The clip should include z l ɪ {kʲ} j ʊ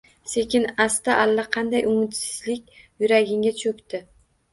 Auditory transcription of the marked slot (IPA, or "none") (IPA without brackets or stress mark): kʲ